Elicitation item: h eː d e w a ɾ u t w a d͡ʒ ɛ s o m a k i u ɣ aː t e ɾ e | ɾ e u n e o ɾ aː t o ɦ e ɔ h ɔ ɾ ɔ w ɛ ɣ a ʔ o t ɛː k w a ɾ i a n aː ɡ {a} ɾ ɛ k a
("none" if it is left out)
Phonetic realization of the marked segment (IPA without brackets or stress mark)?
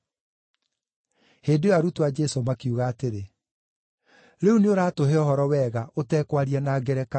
ɛ